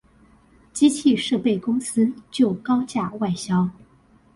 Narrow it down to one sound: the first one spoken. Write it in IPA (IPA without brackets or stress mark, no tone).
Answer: t͡ɕ